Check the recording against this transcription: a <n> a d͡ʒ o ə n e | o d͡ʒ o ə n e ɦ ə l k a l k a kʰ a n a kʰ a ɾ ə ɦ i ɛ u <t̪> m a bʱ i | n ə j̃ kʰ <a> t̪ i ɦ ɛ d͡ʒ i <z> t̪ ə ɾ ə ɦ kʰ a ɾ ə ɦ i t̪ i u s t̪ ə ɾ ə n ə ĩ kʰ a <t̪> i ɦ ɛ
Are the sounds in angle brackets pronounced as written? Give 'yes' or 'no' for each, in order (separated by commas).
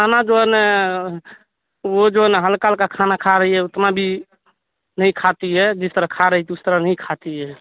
yes, yes, yes, no, yes